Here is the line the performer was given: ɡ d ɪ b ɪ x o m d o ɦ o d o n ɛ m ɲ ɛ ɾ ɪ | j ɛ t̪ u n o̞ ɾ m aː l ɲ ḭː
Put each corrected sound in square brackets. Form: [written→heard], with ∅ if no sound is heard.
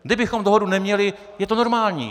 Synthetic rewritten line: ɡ d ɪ b ɪ x o m d o ɦ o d [o→u] n ɛ m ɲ ɛ [ɾ→l] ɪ | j ɛ t̪ [u→o] n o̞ ɾ m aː l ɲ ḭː